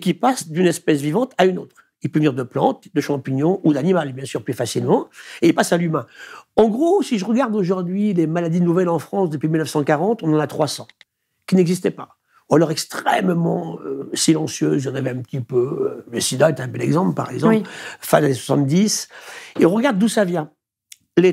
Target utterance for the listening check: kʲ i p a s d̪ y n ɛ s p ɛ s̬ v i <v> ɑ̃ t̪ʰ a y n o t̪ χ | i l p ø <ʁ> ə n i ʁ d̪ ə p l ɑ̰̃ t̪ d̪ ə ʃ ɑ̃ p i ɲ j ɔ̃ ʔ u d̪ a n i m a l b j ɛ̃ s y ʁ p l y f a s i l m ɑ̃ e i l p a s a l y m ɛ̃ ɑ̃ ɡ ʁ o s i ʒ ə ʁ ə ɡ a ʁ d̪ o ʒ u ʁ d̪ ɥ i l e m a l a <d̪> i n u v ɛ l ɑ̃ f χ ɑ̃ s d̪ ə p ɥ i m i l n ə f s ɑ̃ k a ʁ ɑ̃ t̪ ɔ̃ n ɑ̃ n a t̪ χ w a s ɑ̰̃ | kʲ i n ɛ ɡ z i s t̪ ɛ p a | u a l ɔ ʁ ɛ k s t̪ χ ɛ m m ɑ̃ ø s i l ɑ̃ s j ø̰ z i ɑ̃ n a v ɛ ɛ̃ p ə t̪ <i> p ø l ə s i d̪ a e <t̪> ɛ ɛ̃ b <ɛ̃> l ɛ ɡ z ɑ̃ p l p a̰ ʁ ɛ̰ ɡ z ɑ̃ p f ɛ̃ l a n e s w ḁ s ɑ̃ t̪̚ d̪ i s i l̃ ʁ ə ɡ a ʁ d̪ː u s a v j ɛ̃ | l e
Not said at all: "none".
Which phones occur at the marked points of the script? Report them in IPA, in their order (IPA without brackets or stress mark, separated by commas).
v, v, d̪, i, t̪, ɛ